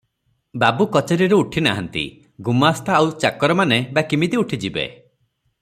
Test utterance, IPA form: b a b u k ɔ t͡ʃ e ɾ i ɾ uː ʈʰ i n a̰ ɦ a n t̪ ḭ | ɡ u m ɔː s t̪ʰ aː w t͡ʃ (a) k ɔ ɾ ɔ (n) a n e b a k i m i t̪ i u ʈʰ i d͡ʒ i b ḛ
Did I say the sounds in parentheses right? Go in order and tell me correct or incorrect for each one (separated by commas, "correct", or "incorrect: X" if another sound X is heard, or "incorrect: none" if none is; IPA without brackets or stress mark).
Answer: correct, incorrect: m